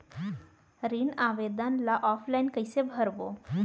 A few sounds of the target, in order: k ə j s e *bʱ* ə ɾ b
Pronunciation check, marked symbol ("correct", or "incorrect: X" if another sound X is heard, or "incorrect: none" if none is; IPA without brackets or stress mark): correct